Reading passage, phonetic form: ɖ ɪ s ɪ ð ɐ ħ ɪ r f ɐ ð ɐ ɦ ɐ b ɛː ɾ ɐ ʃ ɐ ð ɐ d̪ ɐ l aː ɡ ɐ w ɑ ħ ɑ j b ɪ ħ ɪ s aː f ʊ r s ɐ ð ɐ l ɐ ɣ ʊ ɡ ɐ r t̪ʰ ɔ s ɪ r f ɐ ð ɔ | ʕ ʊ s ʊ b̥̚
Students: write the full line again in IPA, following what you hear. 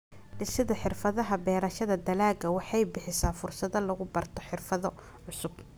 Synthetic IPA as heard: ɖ ɪ s ɪ ð ɐ ħ ɪ r f ɐ ð ɐ ɦ ɐ b ɛː ɾ ɐ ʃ ɐ ð ɐ d̪ ɐ l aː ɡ ɐ w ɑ ħ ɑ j b ɪ ħ ɪ s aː f ʊ r s ɐ ð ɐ l ɐ ɣ ʊ b ɐ r t̪ʰ ɔ ħ ɪ r f ɐ ð ɔ | ʕ ʊ s ʊ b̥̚